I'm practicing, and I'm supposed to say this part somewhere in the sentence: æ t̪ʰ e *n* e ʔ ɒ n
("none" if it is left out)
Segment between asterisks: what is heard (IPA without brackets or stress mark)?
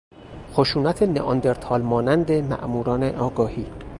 n